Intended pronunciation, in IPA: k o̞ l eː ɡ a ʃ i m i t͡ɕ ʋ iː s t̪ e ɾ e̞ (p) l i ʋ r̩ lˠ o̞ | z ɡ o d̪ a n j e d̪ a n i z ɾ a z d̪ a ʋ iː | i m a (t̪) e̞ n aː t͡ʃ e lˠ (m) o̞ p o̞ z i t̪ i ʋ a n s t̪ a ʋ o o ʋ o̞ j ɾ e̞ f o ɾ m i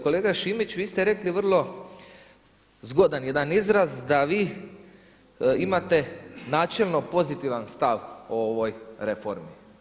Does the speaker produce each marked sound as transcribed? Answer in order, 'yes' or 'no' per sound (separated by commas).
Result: no, yes, no